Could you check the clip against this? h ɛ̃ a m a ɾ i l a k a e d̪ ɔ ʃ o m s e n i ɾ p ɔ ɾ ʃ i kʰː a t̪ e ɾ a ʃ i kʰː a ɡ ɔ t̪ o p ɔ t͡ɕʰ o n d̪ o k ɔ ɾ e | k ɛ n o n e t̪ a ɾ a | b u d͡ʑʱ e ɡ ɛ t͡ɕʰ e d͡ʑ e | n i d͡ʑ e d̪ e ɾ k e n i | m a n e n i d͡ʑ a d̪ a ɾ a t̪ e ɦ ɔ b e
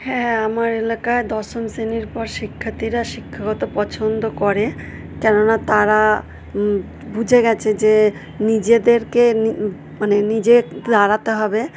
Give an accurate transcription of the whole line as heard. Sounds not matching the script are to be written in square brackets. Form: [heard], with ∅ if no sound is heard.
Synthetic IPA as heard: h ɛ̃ a m a ɾ [e] l a k a e d̪ ɔ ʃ o m s e n i ɾ p ɔ ɾ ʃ i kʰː a t̪ [i] ɾ a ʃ i kʰː a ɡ ɔ t̪ o p ɔ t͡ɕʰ o n d̪ o k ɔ ɾ e | k ɛ n o n [a] t̪ a ɾ a | b u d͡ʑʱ e ɡ ɛ t͡ɕʰ e d͡ʑ e | n i d͡ʑ e d̪ e ɾ k e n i | m a n e n i d͡ʑ [e] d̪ a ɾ a t̪ e ɦ ɔ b e